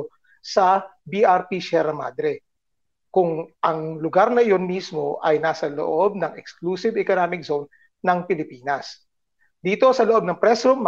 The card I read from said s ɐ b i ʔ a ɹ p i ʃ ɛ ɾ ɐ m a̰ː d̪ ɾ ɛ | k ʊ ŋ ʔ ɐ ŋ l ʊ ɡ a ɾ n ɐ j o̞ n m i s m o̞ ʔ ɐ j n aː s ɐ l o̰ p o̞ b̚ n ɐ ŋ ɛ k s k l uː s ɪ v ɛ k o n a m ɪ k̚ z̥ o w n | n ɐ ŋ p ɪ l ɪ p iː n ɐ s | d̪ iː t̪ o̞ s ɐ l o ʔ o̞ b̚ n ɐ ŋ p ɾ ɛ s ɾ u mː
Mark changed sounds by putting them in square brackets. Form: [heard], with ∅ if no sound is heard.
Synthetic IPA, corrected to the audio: s ɐ b i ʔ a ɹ p i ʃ ɛ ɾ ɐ m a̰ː d̪ ɾ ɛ | k ʊ ŋ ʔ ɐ ŋ l ʊ ɡ a ɾ n ɐ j o̞ n m i s m o̞ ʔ ɐ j n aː s ɐ l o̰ [ʔ] o̞ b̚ n ɐ ŋ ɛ k s k l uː s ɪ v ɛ k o n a m ɪ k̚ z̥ o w n | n ɐ ŋ p ɪ l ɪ p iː n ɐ s | d̪ iː t̪ o̞ s ɐ l o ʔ o̞ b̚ n ɐ ŋ p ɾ ɛ s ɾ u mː